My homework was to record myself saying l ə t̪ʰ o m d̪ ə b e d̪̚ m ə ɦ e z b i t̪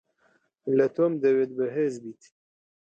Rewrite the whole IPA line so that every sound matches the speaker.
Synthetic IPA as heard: l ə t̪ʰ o m d̪ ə w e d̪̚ b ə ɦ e z b i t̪